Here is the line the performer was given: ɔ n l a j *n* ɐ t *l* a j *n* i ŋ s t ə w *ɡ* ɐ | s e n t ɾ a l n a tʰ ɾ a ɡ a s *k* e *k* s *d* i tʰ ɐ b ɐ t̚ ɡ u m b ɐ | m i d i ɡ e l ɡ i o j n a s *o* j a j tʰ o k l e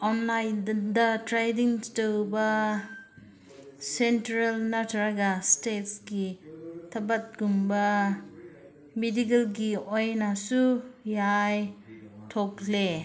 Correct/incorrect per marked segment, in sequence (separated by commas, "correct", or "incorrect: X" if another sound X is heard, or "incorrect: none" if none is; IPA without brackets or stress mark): incorrect: d, incorrect: ɾ, incorrect: d, incorrect: b, incorrect: t, incorrect: t, incorrect: ɡ, incorrect: u